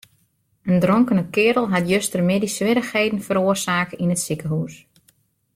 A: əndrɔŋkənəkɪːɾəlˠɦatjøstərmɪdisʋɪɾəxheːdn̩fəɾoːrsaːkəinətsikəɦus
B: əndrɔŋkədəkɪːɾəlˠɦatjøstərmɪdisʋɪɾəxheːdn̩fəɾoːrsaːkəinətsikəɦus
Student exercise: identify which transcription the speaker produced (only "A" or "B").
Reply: A